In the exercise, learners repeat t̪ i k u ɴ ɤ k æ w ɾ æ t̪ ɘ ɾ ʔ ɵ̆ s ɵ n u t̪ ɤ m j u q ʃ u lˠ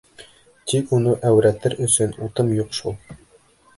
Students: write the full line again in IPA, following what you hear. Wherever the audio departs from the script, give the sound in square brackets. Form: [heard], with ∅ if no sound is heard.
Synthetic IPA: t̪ i k u [n] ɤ [ʔ] æ w ɾ æ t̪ ɘ ɾ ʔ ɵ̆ s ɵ n u t̪ ɤ m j u q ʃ u lˠ